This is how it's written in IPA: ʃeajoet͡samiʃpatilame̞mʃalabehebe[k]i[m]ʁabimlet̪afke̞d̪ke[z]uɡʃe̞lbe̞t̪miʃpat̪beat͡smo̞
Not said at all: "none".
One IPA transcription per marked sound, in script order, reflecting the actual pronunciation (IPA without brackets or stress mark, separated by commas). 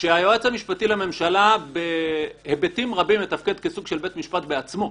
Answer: t, m, s